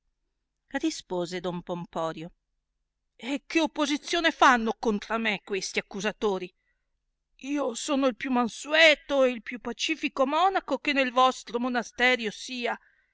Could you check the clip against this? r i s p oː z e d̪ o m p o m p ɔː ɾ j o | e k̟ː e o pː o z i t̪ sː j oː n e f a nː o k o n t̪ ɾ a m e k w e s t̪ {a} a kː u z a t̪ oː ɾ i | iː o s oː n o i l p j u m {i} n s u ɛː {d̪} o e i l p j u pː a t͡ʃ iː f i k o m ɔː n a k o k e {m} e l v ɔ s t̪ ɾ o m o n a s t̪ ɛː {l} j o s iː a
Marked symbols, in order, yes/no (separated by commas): no, no, no, no, no